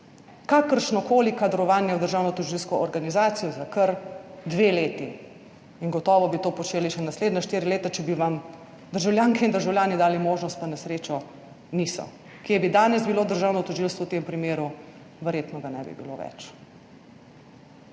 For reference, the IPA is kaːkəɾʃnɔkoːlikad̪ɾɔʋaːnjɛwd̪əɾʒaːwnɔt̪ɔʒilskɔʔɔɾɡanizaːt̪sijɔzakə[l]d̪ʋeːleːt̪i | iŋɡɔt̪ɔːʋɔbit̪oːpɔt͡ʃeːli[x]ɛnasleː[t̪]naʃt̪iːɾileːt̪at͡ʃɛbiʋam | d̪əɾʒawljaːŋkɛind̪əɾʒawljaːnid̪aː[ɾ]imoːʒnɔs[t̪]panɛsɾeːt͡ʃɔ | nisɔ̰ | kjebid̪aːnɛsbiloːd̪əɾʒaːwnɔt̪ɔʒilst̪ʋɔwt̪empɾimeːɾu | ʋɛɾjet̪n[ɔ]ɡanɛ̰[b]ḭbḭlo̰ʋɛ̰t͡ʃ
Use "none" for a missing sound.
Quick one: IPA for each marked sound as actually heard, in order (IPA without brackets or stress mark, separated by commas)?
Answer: ɾ, ʃ, d̪, l, t̪, ɔ, b